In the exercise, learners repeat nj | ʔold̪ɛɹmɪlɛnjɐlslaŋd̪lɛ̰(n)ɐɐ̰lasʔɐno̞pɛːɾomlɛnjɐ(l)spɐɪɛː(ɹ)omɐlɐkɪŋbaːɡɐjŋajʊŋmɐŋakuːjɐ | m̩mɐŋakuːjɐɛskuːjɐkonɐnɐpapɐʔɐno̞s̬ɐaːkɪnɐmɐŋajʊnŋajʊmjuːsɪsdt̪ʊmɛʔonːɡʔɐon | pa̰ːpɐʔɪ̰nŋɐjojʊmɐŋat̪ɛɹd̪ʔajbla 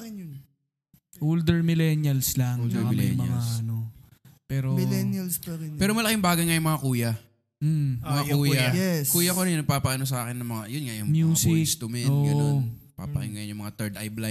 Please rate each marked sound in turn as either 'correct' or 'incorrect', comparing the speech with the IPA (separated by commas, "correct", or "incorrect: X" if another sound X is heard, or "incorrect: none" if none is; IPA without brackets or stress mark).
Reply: incorrect: m, correct, incorrect: ɾ